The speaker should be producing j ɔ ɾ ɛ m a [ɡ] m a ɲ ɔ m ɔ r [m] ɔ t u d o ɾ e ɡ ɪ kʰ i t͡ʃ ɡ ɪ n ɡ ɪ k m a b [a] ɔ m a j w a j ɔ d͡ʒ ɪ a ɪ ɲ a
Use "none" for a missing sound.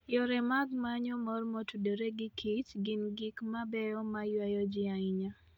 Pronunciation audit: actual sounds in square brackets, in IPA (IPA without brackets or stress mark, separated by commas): ɡ, m, ɛ